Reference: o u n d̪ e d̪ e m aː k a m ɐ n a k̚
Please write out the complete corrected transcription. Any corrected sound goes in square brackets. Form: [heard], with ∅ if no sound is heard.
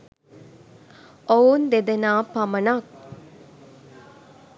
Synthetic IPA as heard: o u n d̪ e d̪ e [n] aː [p] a m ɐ n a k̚

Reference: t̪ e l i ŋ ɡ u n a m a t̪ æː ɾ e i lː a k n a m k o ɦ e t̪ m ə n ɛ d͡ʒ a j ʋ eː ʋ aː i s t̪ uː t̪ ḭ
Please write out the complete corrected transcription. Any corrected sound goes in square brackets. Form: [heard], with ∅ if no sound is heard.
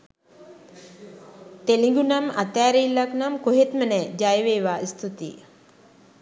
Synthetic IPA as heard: t̪ e l i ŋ ɡ u n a m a t̪ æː ɾ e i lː a k n a m k o ɦ e t̪ m ə n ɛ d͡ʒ a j ʋ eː ʋ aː i s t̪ [u] t̪ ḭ

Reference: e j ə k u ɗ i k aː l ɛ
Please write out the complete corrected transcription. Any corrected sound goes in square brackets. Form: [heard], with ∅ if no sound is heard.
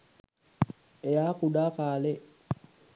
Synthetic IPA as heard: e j [a] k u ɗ [a] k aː l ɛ

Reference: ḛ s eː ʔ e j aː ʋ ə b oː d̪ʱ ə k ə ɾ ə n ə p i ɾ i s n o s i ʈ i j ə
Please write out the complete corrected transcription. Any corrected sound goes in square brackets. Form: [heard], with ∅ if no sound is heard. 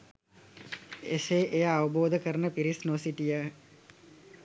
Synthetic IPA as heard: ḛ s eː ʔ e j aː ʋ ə b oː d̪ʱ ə k ə ɾ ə n ə p i ɾ i s n o s i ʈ i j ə

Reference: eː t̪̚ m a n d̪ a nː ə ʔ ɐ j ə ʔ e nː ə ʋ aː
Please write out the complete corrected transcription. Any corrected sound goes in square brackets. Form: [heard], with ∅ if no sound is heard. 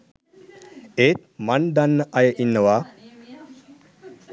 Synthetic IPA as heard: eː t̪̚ m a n d̪ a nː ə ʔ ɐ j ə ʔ [i] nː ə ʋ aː

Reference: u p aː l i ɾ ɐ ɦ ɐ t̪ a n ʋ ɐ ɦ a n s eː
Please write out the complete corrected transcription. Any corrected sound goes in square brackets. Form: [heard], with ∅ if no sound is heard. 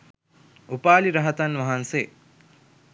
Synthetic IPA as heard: u p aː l i ɾ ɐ ɦ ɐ t̪ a n ʋ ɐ ɦ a n s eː

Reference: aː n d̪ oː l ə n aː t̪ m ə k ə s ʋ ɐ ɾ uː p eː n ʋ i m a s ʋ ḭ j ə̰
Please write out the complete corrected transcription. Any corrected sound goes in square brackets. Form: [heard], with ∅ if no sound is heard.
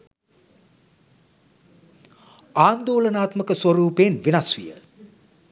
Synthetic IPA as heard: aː n d̪ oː l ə n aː t̪ m ə k ə s ʋ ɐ ɾ uː p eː n ʋ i [n] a s ʋ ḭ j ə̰

